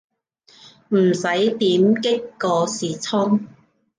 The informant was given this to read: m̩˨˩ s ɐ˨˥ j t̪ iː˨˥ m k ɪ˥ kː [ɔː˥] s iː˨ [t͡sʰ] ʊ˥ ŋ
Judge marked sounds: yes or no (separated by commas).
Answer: no, yes